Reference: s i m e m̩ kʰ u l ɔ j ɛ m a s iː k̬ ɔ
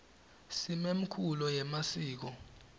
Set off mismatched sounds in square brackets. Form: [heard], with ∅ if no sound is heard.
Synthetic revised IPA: s i m e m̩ kʰ u l ɔ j ɛ m a s iː k̬ ɔ